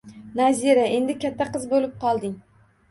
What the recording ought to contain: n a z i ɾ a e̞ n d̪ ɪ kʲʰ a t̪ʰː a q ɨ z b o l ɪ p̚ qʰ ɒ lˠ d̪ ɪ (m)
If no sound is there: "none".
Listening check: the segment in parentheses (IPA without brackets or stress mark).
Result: ŋ